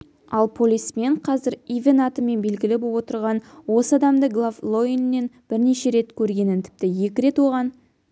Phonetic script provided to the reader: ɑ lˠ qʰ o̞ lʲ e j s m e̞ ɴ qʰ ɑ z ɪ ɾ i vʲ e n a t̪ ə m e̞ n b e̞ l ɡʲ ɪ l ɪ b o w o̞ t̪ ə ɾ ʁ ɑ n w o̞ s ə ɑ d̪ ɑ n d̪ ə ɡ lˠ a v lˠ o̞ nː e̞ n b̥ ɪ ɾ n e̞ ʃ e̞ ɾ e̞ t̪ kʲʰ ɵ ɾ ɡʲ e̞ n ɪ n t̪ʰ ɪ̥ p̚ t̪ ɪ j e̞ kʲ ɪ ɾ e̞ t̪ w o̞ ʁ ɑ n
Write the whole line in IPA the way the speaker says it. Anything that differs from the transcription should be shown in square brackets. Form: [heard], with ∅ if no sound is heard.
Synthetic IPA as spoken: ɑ lˠ [pʰ] o̞ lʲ [i] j s m e̞ ɴ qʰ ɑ z ɪ ɾ i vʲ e n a t̪ ə m e̞ n b e̞ l ɡʲ ɪ l ɪ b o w o̞ t̪ ə ɾ ʁ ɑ n w o̞ s ə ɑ d̪ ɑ [m] d̪ ə ɡ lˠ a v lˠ o̞ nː e̞ n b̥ ɪ ɾ n e̞ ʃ e̞ ɾ e̞ t̪ kʲʰ ɵ ɾ ɡʲ e̞ n ɪ n t̪ʰ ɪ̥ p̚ t̪ ɪ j e̞ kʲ ɪ ɾ e̞ t̪ w o̞ ʁ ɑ n